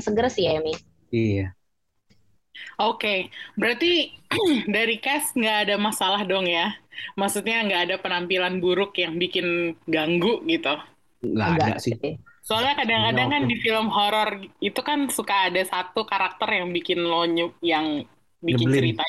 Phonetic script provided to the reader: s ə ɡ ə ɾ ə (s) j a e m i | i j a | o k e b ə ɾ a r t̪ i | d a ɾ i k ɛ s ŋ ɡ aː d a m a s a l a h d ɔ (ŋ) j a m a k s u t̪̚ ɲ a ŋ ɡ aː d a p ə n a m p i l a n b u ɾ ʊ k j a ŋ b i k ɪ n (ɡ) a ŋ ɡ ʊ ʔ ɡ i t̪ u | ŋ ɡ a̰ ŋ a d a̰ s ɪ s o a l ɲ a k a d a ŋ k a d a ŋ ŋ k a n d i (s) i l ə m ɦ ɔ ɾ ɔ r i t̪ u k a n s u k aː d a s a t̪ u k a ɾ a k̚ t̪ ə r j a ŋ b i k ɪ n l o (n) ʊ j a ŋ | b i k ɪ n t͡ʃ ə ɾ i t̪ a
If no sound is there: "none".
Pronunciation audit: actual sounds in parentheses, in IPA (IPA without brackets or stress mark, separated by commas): s, ŋ, ɡ, f, ɲ